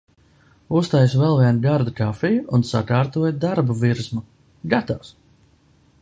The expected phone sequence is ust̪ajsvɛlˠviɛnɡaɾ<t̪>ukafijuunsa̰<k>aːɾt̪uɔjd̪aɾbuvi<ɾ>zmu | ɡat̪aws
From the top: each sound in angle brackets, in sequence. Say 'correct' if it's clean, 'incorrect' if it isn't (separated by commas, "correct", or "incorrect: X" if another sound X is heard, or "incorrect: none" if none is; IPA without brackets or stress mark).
incorrect: d̪, correct, correct